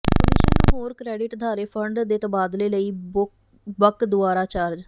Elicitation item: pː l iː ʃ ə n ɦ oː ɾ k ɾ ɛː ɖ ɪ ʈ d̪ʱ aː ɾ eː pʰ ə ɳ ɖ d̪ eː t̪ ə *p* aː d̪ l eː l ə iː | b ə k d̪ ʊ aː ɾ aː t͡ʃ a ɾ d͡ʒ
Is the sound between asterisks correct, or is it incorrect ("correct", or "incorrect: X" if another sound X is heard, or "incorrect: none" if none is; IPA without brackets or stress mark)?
incorrect: b